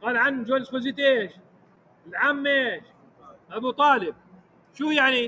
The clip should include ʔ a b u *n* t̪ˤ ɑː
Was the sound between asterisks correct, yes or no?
no